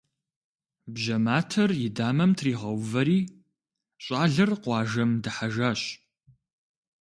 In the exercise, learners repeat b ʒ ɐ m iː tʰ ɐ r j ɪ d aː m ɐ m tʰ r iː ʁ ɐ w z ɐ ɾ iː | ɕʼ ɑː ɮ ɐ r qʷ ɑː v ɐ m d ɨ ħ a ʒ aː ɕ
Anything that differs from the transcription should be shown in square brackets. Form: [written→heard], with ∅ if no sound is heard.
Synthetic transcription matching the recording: b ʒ ɐ m [iː→aː] tʰ ɐ r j ɪ d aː m ɐ m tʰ r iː ʁ ɐ w [z→v] ɐ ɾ iː | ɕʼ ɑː ɮ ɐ r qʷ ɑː [v→ʒ] ɐ m d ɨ ħ a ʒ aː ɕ